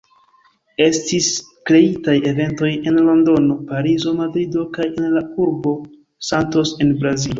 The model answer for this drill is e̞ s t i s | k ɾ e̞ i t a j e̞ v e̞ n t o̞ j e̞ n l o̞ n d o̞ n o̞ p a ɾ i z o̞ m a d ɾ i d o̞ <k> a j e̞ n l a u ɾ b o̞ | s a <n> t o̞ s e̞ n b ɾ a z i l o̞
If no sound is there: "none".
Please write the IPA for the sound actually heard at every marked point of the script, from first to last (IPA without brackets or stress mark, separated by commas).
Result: k, n